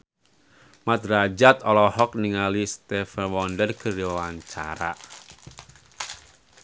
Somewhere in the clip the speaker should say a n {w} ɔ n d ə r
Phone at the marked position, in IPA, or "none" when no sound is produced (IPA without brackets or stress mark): w